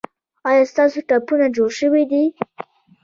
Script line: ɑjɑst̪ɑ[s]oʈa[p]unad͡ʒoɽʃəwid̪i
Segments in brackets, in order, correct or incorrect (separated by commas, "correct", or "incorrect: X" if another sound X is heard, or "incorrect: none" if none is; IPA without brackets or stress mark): correct, correct